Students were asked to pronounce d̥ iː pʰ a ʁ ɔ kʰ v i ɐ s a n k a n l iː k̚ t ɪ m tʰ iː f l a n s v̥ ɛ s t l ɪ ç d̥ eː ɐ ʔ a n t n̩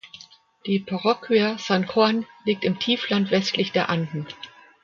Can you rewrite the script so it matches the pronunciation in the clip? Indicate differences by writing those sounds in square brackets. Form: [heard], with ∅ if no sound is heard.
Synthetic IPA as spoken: d̥ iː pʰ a ʁ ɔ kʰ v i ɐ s a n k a n l iː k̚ t ɪ m tʰ iː f l a n [t] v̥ ɛ s t l ɪ ç d̥ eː ɐ ʔ a n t n̩